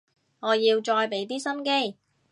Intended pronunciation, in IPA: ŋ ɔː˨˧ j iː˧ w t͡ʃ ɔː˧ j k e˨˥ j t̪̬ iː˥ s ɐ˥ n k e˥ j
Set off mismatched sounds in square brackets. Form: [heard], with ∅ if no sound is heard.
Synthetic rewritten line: ŋ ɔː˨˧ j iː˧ w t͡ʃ ɔː˧ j [p] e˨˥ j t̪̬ iː˥ s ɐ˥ n k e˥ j